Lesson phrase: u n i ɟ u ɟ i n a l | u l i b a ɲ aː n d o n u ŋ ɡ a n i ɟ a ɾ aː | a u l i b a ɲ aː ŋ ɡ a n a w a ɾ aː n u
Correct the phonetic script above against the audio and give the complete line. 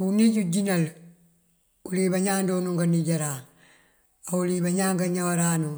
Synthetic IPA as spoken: u n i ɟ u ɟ i n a l | u l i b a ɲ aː n d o n u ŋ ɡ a n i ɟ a ɾ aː | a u l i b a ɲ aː ŋ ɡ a ɲ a w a ɾ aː n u